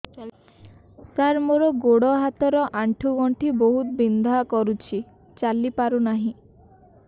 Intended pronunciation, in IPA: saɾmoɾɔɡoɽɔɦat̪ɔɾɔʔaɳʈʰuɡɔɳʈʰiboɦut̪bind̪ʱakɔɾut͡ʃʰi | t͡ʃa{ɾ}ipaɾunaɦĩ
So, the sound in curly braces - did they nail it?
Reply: no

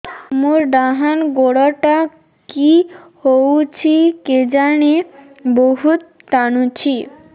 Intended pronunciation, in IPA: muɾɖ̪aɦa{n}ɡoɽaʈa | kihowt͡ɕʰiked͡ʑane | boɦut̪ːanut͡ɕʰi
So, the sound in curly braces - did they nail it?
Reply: yes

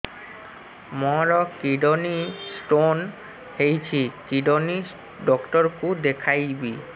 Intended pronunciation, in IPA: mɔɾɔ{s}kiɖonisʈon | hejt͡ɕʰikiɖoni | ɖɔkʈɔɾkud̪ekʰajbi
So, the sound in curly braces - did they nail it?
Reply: no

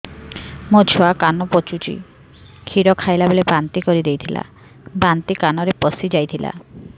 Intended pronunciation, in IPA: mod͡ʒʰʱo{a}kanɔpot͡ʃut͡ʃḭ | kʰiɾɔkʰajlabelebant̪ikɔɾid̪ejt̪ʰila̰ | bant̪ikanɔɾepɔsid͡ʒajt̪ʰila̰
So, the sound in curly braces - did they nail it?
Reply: yes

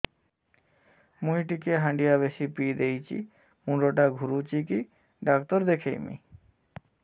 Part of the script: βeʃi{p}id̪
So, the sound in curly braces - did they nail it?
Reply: yes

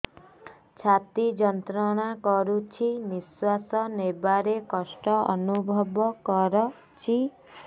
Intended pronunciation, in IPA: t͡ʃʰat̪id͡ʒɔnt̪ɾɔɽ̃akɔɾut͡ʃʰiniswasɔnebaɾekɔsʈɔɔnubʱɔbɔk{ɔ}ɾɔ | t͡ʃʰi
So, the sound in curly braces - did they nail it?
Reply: yes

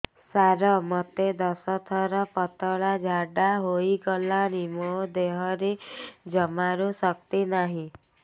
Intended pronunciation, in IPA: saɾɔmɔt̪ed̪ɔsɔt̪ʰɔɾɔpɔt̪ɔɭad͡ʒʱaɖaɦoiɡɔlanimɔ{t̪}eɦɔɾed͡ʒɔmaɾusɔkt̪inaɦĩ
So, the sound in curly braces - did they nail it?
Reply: no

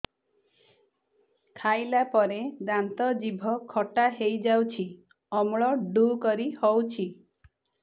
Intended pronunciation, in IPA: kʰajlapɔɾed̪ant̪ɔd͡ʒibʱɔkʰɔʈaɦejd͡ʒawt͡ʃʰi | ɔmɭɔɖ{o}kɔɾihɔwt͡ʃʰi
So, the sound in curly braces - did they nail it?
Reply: no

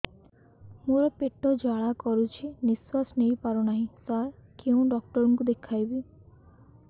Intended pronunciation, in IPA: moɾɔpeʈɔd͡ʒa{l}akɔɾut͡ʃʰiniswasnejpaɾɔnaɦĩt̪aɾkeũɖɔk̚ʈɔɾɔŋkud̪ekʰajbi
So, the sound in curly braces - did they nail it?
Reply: no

